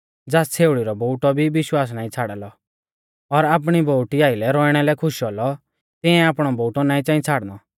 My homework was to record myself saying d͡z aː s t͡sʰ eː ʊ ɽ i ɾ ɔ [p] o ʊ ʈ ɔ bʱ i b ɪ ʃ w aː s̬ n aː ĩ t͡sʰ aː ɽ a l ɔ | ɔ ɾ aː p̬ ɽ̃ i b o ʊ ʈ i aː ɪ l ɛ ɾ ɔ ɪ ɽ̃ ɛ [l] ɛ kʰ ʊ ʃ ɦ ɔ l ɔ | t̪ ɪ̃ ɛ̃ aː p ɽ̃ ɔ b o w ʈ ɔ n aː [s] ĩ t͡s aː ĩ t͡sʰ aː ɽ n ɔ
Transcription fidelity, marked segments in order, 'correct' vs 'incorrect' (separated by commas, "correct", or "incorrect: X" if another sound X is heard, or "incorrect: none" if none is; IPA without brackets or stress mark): incorrect: b, correct, incorrect: none